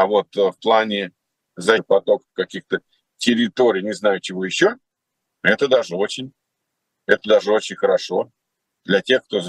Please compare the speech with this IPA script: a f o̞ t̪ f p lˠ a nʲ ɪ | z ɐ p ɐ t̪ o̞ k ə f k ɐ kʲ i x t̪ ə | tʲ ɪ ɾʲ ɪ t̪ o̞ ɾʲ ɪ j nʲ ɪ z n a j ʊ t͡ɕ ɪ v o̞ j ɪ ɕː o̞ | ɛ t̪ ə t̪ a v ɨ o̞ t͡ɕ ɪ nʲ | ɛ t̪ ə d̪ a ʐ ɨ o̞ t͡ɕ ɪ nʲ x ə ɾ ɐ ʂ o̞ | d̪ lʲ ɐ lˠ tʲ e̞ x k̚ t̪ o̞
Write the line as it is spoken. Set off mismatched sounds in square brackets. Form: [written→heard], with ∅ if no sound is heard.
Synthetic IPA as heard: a [f→v] o̞ t̪ f p lˠ a nʲ ɪ | z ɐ p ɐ t̪ o̞ k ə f k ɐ kʲ i x t̪ ə | tʲ ɪ ɾʲ ɪ t̪ o̞ ɾʲ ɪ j nʲ ɪ z n a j ʊ t͡ɕ ɪ v o̞ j ɪ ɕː o̞ | ɛ t̪ ə [t̪→d̪] a [v→ʐ] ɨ o̞ t͡ɕ ɪ nʲ | ɛ t̪ ə d̪ a ʐ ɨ o̞ t͡ɕ ɪ nʲ x ə ɾ ɐ ʂ o̞ | d̪ lʲ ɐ [lˠ→∅] tʲ e̞ x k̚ t̪ o̞